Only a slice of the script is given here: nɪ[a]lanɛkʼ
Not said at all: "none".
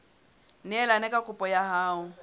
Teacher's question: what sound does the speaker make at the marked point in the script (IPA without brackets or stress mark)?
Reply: ɛ